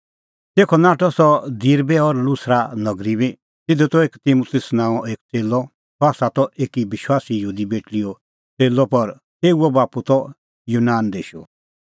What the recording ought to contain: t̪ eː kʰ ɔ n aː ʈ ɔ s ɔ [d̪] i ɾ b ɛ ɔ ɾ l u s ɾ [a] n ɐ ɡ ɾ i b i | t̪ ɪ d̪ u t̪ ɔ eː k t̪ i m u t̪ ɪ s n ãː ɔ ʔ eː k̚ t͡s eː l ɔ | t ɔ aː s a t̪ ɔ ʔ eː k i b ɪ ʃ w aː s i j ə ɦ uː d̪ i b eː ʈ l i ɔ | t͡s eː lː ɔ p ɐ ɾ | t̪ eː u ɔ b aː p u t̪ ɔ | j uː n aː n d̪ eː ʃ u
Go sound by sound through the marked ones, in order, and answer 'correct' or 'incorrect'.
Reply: correct, correct

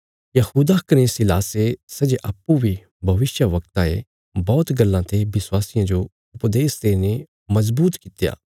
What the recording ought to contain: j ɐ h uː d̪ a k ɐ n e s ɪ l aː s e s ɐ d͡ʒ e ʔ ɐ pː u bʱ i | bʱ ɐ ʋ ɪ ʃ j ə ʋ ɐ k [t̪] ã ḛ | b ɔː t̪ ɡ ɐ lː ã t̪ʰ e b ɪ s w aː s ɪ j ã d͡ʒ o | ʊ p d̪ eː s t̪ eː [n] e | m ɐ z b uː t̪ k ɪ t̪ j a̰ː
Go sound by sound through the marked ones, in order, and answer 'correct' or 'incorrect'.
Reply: correct, correct

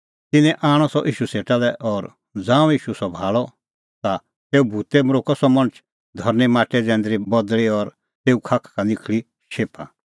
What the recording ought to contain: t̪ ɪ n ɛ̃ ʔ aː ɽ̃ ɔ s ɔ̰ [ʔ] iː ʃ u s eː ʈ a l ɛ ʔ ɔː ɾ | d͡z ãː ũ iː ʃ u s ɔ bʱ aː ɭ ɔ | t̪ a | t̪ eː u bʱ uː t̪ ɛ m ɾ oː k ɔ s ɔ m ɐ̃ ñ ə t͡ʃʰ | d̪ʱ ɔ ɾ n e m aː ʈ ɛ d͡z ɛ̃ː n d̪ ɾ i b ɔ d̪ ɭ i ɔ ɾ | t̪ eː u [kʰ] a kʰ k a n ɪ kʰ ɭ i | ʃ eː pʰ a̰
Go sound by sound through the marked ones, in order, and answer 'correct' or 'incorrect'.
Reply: correct, correct

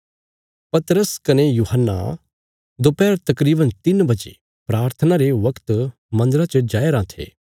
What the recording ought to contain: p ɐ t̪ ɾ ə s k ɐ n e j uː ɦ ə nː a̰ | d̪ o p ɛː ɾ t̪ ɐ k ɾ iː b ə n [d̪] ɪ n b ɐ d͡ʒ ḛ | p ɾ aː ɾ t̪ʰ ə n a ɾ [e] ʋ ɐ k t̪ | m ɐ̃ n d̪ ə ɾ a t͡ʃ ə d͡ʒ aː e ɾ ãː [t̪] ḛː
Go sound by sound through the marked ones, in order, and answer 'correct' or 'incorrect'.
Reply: incorrect: t̪, correct, incorrect: t̪ʰ

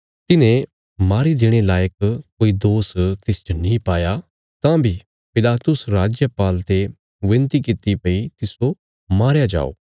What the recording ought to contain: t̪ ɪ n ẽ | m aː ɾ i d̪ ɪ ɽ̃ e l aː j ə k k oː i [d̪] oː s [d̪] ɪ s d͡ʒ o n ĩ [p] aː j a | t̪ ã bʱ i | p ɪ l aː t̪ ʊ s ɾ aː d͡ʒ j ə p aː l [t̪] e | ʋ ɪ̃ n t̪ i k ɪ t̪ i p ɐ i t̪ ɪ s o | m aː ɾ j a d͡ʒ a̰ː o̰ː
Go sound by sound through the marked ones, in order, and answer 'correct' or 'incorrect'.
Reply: correct, incorrect: t̪, correct, correct

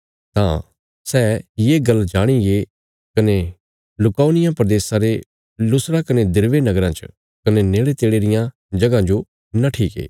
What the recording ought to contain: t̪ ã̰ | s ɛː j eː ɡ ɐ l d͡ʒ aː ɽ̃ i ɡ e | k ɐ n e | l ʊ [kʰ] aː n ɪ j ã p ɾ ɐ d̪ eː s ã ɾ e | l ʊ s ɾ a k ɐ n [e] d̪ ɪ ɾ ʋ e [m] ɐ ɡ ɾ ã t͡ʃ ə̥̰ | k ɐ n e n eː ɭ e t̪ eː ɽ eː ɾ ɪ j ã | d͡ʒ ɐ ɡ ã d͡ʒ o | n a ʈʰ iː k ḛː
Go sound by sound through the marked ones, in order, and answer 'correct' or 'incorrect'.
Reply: incorrect: k, correct, incorrect: n

